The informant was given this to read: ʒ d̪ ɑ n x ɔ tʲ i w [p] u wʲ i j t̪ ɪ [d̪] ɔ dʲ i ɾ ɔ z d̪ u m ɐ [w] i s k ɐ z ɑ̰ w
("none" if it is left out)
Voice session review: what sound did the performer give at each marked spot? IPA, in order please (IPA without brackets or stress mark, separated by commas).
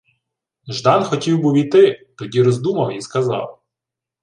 b, t̪, w